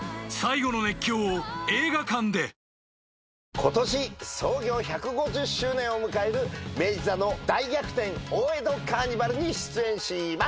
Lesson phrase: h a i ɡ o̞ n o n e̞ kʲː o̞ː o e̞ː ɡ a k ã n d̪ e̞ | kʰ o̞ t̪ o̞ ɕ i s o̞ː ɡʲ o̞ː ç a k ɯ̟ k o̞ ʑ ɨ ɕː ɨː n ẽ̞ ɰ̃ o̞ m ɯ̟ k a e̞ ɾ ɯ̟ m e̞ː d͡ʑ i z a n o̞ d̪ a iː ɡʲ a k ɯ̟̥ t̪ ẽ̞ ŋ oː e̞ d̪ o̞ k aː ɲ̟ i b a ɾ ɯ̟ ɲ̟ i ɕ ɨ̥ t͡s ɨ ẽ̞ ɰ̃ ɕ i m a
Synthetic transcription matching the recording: s a i ɡ o̞ n o n e̞ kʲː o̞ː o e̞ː ɡ a k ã n d̪ e̞ | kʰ o̞ t̪ o̞ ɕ i s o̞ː ɡʲ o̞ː ç a k ɯ̟ ɡ o̞ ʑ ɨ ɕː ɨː n ẽ̞ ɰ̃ o̞ m ɯ̟ k a e̞ ɾ ɯ̟ m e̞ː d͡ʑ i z a n o̞ d̪ a i ɡʲ a k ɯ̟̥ t̪ ẽ̞ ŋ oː e̞ d̪ o̞ k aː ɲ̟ i b a ɾ ɯ̟ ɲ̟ i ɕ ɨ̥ t͡s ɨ ẽ̞ ɰ̃ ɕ i m a